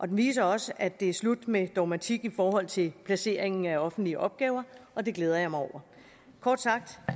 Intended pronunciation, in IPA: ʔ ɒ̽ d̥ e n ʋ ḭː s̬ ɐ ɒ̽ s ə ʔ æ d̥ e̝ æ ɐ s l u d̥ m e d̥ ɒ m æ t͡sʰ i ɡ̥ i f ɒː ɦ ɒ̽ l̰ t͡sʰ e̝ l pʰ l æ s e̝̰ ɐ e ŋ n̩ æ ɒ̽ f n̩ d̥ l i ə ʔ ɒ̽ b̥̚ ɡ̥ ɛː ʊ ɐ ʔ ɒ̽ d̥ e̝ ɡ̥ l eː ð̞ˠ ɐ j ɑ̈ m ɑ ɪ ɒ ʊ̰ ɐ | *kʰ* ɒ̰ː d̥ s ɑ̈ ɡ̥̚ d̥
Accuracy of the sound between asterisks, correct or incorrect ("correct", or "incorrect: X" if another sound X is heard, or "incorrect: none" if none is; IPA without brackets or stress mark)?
correct